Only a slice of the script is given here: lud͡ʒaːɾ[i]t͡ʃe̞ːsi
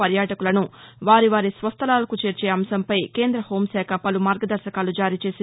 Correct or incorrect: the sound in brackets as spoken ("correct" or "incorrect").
incorrect